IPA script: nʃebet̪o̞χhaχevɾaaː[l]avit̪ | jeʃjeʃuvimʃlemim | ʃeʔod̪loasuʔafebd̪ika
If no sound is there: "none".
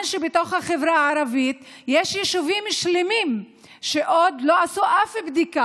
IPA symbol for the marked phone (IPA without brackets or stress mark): ɾ